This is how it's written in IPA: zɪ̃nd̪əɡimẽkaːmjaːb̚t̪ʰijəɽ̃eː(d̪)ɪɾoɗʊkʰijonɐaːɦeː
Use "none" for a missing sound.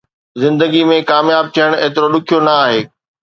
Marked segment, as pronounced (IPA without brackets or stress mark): t̪